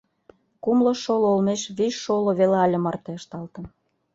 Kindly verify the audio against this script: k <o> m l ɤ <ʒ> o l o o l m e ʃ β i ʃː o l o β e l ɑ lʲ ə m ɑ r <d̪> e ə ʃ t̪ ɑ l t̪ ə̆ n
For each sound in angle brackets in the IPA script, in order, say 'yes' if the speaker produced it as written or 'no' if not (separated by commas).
no, no, no